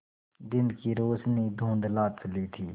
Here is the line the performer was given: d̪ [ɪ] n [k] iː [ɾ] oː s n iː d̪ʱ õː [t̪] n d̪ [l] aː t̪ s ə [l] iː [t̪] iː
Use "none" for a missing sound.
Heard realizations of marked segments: ɪ, k, ɾ, none, l, l, t̪ʰ

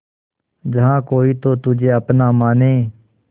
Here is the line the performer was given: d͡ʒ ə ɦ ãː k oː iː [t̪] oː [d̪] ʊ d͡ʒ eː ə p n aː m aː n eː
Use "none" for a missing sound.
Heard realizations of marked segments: t̪, t̪

